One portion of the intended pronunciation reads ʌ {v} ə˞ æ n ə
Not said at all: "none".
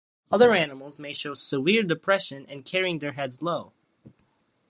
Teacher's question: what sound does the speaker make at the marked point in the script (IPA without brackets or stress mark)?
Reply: ð